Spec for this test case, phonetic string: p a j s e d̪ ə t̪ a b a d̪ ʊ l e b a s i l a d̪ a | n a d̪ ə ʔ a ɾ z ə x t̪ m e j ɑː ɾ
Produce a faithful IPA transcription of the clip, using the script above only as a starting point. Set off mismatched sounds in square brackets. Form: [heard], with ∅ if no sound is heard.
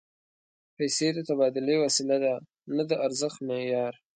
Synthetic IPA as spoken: p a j s e d̪ ə t̪ a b [ɑ] d̪ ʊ l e [w] a s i l a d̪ a | n a d̪ ə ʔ a ɾ z ə x t̪ m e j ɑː ɾ